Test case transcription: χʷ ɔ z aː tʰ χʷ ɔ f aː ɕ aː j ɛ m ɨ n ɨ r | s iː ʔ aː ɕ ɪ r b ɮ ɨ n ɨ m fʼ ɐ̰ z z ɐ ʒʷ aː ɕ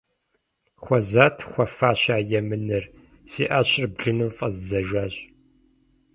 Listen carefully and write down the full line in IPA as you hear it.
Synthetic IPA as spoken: χʷ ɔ z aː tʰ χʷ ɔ f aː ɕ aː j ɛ m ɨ n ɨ r | s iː ʔ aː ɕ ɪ r b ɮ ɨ n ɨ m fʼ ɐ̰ z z ɐ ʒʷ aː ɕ